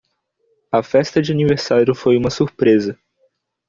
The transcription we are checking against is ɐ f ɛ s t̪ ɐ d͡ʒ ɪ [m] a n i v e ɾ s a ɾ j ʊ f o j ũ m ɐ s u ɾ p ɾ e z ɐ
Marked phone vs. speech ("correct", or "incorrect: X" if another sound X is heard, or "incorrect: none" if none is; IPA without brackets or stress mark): incorrect: none